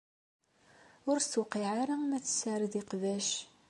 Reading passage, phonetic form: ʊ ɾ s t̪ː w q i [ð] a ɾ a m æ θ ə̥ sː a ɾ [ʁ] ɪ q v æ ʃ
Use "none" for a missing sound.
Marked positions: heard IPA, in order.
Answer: ʕ, ð

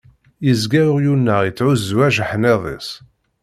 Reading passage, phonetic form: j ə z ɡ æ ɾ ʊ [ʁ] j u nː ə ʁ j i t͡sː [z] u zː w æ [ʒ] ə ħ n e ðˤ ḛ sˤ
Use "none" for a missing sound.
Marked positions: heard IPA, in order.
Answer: ʁ, ʕ, ʒ

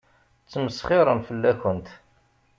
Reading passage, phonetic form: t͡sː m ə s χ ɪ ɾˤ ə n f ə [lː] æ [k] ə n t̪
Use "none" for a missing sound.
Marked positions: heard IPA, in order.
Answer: lː, k

